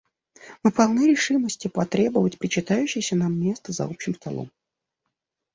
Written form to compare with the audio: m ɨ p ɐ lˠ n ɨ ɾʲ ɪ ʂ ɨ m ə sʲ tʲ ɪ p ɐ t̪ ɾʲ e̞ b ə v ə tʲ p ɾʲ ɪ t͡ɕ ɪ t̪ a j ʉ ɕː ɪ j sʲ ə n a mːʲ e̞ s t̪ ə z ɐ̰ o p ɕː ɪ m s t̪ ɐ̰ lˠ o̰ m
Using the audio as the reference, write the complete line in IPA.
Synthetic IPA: m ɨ p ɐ lˠ n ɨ ɾʲ ɪ ʂ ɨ m ə sʲ tʲ ɪ p ɐ t̪ ɾʲ e̞ b ə v ə tʲ p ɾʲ ɪ t͡ɕ ɪ t̪ a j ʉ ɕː ɪ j sʲ ə n a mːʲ e̞ s t̪ ə z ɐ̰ o p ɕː ɪ m s t̪ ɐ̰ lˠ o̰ m